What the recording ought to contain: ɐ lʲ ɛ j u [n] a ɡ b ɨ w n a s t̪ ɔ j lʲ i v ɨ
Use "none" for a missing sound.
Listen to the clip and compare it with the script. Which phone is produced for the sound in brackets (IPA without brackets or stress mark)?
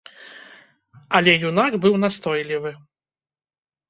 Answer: n